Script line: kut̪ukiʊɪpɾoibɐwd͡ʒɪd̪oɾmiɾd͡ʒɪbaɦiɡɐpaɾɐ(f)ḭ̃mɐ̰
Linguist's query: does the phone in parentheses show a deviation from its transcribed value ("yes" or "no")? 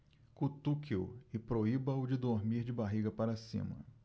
yes